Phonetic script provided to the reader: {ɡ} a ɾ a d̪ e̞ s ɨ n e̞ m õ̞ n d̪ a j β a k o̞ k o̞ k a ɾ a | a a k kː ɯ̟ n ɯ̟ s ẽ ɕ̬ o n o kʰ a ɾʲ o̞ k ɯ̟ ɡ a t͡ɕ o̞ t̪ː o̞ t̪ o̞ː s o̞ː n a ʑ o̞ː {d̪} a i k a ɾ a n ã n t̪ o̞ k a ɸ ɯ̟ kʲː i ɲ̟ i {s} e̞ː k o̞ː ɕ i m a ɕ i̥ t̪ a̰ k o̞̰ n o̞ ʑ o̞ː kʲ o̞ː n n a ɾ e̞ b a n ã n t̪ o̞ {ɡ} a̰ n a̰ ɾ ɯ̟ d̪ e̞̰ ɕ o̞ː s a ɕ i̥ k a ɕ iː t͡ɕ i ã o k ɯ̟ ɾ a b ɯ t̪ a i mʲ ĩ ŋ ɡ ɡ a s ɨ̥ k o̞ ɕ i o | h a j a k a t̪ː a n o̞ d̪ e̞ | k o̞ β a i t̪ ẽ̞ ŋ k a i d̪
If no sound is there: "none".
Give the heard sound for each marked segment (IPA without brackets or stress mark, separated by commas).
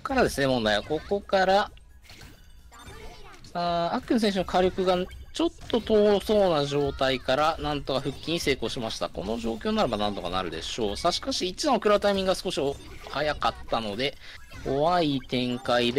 k, t̪, s, k